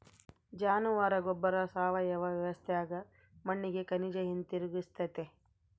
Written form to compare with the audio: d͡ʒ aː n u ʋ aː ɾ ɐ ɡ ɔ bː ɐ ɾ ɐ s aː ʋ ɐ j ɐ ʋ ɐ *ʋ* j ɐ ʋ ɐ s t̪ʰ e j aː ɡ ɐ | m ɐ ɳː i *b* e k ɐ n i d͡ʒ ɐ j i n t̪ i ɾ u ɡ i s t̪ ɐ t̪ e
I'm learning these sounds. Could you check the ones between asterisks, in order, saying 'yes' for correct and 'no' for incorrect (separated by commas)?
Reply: yes, no